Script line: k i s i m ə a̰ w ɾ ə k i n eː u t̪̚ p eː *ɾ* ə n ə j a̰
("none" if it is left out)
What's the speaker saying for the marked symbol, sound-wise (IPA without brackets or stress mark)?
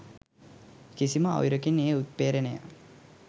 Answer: ɾ